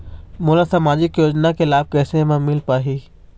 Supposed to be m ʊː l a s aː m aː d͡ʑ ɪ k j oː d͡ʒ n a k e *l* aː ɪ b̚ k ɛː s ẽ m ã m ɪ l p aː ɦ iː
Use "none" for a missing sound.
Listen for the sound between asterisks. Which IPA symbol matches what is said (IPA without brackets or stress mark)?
l